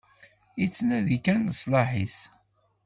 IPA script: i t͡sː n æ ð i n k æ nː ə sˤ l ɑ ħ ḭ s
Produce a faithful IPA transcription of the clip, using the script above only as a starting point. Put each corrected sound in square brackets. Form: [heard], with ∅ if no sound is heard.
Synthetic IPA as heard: i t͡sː n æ ð i [∅] k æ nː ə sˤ l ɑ ħ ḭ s